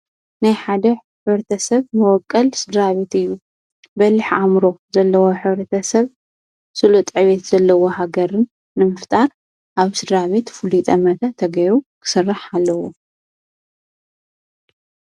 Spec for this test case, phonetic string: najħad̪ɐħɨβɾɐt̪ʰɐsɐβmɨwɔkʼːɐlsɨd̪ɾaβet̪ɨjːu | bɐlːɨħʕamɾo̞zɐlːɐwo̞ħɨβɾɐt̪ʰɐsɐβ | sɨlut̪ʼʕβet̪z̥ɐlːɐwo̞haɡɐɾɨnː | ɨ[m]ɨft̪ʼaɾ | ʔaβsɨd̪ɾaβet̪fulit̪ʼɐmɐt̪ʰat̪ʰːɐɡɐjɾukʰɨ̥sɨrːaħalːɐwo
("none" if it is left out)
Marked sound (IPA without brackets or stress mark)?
m